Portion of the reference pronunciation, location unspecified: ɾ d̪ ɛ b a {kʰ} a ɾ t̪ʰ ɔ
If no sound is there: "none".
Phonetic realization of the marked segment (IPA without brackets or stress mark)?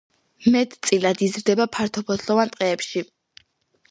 pʰ